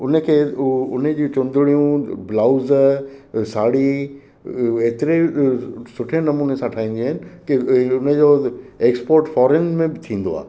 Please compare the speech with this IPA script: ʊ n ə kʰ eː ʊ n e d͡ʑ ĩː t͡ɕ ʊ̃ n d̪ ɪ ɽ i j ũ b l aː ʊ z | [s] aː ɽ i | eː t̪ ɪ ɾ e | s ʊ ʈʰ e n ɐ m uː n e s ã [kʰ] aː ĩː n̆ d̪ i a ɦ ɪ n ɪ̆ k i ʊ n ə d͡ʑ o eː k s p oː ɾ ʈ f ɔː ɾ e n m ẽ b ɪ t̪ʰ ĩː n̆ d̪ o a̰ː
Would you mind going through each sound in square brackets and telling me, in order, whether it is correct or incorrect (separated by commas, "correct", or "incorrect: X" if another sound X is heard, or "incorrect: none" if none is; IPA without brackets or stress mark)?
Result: correct, incorrect: ʈʰ